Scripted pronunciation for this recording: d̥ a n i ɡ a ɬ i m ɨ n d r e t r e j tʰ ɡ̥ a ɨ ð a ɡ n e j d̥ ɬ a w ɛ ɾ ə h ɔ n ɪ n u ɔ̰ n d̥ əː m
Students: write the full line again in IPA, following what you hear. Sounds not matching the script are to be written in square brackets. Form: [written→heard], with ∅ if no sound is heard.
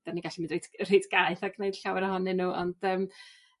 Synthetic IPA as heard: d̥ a n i ɡ a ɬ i m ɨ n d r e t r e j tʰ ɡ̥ a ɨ [ð→θ] a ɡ n e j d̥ ɬ a w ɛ ɾ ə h ɔ n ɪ n u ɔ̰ n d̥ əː m